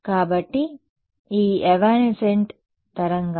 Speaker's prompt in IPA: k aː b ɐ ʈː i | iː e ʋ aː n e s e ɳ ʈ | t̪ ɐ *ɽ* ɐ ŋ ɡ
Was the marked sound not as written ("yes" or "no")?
yes